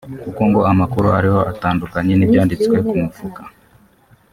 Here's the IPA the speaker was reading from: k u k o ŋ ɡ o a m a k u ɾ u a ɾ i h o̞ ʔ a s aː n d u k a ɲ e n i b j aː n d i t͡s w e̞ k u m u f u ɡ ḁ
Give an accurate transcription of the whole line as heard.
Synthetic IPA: k u k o ŋ ɡ o a m a k u ɾ u a ɾ i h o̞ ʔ a t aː n d u k a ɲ e n i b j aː n d i t͡s w e̞ k u m u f u k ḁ